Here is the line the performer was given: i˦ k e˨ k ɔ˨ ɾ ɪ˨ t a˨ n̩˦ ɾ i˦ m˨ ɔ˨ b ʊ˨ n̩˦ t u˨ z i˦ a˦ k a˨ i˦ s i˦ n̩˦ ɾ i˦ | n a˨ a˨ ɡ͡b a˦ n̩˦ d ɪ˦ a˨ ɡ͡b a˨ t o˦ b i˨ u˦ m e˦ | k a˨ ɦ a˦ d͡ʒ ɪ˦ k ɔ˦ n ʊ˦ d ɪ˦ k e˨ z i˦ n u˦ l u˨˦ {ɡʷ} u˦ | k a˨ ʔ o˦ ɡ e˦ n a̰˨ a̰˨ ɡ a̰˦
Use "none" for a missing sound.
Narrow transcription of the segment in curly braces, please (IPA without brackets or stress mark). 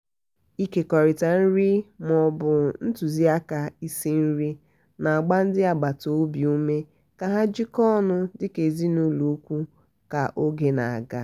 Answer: kʷ